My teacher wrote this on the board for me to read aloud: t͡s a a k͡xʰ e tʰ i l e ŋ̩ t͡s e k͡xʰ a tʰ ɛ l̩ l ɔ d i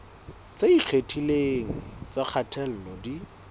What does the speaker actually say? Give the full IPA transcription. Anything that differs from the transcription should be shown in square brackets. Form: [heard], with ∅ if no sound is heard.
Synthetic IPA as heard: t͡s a [i] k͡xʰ e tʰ i l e ŋ̩ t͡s [a] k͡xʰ a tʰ ɛ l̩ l ɔ d i